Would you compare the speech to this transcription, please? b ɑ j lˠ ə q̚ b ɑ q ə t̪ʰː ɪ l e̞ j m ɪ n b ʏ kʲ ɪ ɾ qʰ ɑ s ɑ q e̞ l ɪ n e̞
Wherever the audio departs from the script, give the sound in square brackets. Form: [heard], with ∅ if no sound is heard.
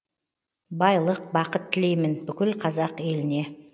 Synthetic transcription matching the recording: b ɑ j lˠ ə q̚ b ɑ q ə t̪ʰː ɪ l e̞ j m ɪ n b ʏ kʲ ɪ [l] qʰ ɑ [z] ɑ q e̞ l ɪ n e̞